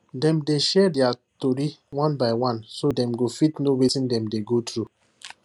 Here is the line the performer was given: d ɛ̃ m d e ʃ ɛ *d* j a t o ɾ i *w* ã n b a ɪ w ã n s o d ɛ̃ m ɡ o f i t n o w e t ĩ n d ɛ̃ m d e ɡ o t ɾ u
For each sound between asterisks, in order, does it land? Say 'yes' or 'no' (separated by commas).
yes, yes